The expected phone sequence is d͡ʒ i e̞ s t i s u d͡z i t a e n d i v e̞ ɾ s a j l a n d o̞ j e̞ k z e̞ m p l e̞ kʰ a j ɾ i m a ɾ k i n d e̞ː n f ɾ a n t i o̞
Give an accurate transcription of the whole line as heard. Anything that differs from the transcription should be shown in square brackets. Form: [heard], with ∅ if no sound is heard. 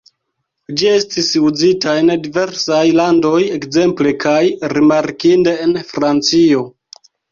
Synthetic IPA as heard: d͡ʒ i e̞ s t i s u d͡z i t a e n d i v e̞ ɾ s a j l a n d o̞ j e̞ k z e̞ m p l e̞ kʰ a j ɾ i m a ɾ k i n d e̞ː n f ɾ a n [t͡s] i o̞